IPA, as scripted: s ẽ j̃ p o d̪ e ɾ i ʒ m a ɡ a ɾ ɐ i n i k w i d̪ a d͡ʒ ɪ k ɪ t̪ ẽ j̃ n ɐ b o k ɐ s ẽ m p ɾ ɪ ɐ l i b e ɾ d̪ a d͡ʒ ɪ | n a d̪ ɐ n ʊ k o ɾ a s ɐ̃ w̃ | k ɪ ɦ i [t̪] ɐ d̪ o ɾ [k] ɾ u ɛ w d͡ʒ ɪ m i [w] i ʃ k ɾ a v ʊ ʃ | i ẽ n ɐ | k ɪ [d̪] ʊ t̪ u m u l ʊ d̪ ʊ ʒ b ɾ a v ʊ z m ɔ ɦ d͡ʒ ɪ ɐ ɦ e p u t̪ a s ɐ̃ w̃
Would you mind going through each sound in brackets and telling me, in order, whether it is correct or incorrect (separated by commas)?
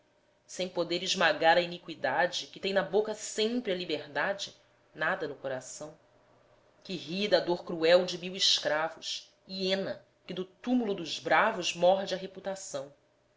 incorrect, correct, correct, correct